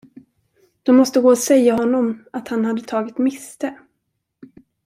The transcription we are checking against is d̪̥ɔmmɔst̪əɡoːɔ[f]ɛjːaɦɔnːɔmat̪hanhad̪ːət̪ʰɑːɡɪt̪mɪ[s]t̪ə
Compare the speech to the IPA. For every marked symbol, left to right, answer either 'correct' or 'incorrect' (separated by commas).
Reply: incorrect, correct